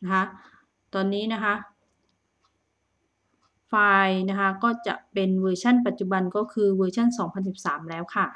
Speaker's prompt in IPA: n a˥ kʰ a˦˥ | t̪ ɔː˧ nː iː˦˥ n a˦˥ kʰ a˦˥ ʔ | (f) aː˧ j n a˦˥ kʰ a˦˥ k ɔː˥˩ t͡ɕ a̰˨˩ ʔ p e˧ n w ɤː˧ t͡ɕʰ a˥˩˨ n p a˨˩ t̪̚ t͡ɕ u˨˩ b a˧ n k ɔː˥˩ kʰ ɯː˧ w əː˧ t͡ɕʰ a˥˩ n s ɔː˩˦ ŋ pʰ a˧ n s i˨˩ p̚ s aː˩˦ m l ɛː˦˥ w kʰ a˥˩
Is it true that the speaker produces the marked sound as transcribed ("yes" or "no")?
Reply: yes